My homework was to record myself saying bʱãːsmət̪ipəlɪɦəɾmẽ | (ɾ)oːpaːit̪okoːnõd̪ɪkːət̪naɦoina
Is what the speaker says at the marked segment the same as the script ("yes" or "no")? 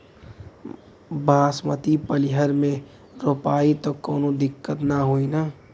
yes